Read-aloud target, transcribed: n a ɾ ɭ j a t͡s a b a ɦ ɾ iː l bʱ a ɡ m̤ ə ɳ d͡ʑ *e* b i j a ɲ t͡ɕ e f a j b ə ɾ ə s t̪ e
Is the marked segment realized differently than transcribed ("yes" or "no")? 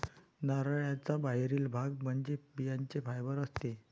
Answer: no